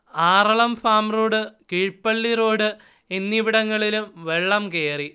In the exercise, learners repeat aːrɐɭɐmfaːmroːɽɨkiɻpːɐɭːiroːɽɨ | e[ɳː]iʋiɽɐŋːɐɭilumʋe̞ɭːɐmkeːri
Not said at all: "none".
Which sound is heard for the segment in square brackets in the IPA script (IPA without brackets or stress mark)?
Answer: nː